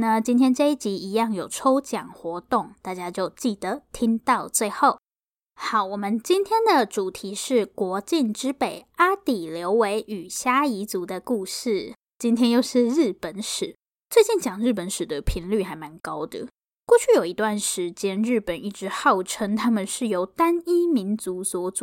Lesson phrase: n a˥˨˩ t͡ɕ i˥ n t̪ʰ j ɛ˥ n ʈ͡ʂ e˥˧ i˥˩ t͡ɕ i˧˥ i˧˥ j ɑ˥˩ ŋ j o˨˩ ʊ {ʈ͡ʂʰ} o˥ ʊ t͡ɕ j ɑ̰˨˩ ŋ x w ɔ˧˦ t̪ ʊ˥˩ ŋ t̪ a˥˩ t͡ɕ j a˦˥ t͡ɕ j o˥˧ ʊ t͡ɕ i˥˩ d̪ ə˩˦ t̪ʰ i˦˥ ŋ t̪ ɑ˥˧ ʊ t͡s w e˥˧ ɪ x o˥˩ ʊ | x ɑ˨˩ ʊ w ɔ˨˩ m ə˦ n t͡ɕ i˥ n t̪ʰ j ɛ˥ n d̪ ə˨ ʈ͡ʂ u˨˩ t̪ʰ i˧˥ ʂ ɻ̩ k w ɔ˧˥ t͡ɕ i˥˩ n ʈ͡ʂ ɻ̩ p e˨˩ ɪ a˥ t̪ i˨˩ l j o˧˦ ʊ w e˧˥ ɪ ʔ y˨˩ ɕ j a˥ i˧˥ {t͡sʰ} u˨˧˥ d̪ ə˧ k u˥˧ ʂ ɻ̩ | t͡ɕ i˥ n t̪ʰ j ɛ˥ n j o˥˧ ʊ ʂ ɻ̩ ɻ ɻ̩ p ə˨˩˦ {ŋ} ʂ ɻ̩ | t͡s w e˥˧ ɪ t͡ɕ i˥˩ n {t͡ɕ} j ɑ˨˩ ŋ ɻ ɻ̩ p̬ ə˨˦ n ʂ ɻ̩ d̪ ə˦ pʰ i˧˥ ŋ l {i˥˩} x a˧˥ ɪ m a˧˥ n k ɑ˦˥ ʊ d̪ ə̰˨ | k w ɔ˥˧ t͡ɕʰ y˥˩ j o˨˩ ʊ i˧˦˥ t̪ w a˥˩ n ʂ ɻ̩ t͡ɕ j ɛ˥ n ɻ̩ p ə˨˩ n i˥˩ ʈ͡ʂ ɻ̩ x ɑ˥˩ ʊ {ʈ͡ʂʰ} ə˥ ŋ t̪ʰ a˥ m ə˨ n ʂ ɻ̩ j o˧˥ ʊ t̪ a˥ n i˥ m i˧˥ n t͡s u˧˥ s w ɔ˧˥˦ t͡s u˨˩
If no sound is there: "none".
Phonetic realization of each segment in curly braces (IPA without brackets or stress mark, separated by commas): ʈ͡ʂʰ, t͡s, n, t͡ɕ, y˥˩, ʈ͡ʂʰ